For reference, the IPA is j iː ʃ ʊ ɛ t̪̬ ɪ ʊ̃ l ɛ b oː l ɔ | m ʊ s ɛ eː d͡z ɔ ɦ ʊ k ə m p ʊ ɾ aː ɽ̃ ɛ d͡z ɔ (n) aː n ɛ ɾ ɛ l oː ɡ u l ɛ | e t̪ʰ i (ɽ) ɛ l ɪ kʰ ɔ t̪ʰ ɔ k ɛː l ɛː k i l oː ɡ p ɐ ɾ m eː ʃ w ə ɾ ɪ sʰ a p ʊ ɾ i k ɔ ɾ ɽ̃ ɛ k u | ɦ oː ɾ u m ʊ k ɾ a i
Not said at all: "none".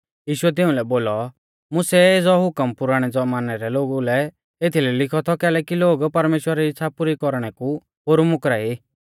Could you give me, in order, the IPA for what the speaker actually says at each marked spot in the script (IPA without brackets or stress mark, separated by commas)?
m, l